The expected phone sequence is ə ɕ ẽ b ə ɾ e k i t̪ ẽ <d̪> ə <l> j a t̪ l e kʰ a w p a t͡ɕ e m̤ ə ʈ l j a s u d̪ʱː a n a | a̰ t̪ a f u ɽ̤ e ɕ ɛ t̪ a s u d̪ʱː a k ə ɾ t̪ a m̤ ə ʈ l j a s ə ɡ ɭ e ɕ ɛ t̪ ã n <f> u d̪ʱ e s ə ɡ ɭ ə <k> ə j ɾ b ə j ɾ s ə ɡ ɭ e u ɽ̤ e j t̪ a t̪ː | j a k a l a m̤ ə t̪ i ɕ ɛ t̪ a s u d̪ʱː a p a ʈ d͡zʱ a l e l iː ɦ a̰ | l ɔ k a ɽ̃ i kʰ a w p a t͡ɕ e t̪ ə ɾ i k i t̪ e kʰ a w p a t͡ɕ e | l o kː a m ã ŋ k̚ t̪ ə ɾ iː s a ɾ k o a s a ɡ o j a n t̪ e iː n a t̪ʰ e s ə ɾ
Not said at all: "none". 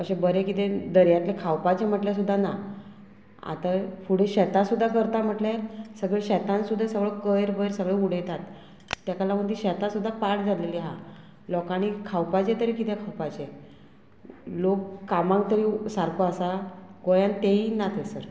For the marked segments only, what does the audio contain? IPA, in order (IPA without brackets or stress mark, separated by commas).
d̪, ɾ, s, k